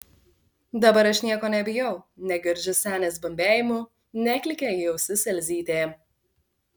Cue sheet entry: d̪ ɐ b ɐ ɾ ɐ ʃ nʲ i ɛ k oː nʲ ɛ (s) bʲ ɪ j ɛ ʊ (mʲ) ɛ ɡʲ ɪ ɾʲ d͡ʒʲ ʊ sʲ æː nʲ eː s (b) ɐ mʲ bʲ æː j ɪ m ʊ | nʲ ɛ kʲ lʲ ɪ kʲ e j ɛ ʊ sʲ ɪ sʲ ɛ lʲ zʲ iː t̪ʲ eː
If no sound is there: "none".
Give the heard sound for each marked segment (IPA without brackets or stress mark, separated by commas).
none, nʲ, b